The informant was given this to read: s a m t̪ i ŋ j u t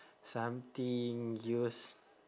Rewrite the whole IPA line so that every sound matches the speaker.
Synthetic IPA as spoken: s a m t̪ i ŋ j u s